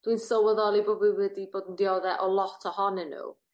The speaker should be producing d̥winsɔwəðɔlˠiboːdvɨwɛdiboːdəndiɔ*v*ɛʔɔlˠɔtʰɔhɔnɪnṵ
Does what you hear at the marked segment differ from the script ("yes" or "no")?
yes